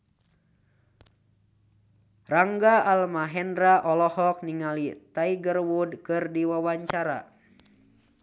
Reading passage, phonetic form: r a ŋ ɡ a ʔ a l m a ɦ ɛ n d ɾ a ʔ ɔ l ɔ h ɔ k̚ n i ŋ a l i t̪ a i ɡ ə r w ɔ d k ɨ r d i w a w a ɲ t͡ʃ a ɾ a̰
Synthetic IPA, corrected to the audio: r a ŋ ɡ a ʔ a l m a ɦ ɛ n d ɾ a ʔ ɔ l ɔ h ɔ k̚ n i ŋ a l i t̪ a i ɡ ə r w u d k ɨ r d i w a w a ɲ t͡ʃ a ɾ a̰